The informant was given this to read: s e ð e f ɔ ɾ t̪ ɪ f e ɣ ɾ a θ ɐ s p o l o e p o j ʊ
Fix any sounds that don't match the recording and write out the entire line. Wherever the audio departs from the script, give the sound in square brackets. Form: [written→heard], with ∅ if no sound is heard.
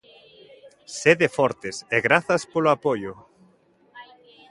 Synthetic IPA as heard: s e ð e f ɔ ɾ t̪ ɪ [f→s] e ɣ ɾ a θ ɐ s p o l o [e→a] p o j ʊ